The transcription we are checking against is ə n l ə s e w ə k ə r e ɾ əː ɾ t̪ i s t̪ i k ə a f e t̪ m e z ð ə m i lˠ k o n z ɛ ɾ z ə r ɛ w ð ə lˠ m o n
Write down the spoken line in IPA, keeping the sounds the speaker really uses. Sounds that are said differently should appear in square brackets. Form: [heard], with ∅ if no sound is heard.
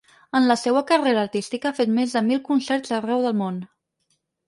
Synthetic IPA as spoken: ə n l ə s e w ə k ə r e ɾ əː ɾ t̪ i s t̪ i k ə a f e t̪ m e z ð ə m i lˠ k [u] n [s] ɛ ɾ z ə r ɛ w ð ə lˠ m o n